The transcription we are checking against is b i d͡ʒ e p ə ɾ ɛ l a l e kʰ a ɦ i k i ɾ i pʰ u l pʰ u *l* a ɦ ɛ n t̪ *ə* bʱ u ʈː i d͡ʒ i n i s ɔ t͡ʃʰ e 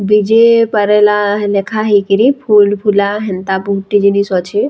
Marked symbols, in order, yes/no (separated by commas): yes, no